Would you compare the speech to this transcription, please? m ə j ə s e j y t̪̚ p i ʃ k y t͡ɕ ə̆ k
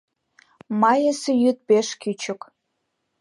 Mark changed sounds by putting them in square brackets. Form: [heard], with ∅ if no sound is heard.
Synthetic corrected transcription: m [ɑ] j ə s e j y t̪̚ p [e] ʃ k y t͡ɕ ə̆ k